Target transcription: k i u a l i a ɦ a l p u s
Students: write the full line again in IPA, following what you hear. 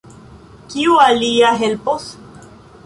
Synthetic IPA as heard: k i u a l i a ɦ e l p o s

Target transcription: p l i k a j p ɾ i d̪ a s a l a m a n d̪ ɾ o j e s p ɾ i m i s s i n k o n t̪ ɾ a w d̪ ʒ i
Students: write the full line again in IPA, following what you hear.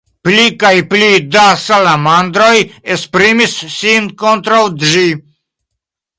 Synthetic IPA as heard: p l i k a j p l i d̪ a s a l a m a n d̪ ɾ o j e s p ɾ i m i s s i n k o n t̪ ɾ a w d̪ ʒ i

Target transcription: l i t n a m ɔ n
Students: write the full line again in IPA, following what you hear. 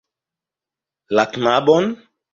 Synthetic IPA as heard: l a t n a b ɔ n

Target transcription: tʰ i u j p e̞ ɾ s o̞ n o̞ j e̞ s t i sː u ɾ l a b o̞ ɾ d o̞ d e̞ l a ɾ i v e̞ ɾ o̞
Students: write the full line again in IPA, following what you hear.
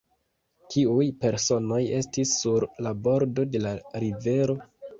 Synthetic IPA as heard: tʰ i u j p e̞ ɾ s o̞ n o̞ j e̞ s t i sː u ɾ l a b o̞ ɾ d o̞ d e̞ l a ɾ i v e̞ ɾ o̞

